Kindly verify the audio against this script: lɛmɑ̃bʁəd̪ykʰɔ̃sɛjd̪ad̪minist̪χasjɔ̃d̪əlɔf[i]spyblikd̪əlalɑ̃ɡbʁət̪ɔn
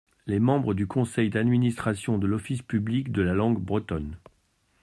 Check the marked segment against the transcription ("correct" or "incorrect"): correct